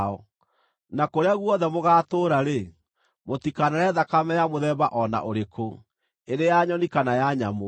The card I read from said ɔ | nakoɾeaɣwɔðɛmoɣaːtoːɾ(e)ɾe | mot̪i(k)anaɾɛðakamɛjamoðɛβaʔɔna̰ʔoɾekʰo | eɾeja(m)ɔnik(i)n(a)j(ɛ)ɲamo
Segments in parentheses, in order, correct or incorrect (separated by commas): incorrect, correct, incorrect, incorrect, correct, incorrect